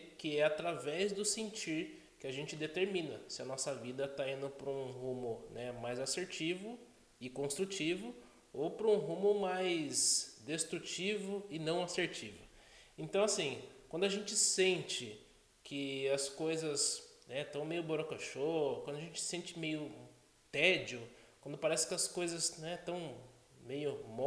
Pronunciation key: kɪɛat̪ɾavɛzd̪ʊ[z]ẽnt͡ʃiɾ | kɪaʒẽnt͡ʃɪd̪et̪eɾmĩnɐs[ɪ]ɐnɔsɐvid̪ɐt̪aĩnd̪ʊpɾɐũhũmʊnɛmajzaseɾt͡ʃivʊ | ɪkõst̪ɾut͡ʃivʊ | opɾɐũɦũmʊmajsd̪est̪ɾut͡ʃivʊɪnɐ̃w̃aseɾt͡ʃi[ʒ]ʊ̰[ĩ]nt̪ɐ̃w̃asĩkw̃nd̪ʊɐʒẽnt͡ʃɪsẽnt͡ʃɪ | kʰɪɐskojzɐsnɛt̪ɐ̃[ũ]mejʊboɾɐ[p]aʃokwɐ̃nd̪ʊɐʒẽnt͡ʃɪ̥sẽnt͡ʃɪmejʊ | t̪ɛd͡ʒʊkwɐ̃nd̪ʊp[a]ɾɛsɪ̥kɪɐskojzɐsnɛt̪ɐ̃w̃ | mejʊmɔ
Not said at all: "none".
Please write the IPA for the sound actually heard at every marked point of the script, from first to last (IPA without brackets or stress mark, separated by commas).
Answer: s, ɪ, v, ẽ, w̃, k, a